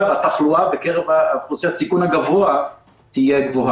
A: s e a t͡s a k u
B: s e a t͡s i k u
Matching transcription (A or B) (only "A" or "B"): B